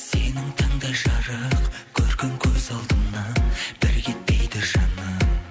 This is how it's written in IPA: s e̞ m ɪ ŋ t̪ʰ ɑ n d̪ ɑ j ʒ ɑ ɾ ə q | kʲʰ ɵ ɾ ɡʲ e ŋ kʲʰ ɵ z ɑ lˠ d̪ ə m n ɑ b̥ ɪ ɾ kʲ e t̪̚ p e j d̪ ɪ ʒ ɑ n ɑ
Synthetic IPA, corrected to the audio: s e̞ n ɪ ŋ t̪ʰ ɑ ɴ d̪ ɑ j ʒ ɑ ɾ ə q | kʲʰ ɵ ɾ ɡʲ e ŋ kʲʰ ɵ z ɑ lˠ d̪ ə m n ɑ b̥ ɪ ɾ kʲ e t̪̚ p e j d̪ ɪ ʒ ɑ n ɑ